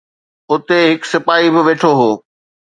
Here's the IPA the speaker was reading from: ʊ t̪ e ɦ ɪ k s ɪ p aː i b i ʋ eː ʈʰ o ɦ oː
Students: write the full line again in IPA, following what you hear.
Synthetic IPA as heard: ʊ t̪ e ɦ ɪ k s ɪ p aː i b ɪ ʋ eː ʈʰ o ɦ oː